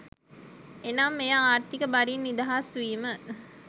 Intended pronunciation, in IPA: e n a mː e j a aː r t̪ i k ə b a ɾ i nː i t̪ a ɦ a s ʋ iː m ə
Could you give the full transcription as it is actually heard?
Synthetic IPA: e n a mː e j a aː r t̪ i k ə b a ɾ i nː i d̪ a ɦ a s ʋ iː m ə